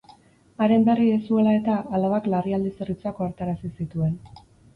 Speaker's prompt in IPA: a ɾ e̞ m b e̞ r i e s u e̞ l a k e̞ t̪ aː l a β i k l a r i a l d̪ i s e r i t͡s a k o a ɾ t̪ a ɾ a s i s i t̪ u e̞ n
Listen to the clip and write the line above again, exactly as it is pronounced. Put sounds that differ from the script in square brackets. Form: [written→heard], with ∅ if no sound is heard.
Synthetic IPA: a ɾ e̞ m b e̞ r i e s u e̞ l a [k→∅] e̞ t̪ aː l a β [i→a] k l a r i a l d̪ i s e r i t͡s a k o a ɾ t̪ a ɾ a s i s i t̪ u e̞ n